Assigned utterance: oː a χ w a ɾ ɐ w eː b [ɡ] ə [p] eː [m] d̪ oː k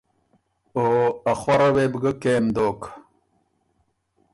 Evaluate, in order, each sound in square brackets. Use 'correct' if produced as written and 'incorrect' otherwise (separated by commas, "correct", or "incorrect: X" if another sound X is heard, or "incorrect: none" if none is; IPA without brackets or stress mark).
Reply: correct, incorrect: k, correct